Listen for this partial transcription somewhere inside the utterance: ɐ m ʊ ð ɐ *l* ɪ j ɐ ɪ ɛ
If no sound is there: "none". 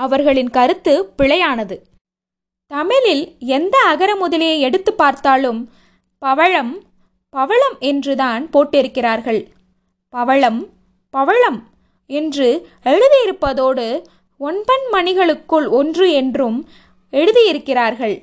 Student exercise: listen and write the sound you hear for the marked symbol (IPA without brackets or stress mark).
l